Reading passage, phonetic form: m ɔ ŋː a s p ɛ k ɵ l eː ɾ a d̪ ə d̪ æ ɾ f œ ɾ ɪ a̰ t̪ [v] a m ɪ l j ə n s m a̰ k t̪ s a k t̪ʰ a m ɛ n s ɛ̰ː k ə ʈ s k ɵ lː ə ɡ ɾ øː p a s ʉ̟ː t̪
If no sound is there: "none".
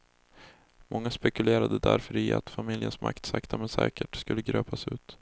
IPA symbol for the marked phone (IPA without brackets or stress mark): f